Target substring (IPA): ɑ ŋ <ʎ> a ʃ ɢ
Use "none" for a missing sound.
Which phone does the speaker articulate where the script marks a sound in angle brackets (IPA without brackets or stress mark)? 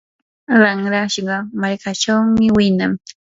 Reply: ɾ